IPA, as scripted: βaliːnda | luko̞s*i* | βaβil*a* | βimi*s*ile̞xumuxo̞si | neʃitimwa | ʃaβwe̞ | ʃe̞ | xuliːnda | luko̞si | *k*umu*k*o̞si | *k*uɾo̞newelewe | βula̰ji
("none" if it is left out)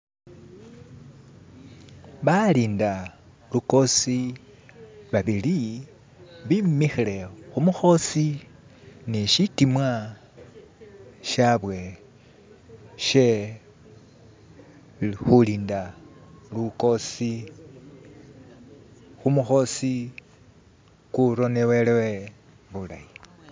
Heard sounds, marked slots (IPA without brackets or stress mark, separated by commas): i, i, x, x, x, k